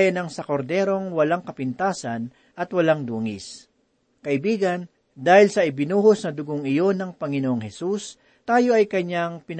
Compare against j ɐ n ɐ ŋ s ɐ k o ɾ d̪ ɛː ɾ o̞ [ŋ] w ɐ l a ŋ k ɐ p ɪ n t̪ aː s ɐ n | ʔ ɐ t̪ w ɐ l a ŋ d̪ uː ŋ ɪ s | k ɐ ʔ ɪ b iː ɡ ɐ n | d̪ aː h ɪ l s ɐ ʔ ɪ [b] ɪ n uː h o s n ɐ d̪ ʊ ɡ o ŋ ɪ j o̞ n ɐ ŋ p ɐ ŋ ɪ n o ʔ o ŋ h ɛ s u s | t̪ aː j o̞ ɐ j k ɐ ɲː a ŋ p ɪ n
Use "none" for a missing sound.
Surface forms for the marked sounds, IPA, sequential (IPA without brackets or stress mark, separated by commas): ŋ, b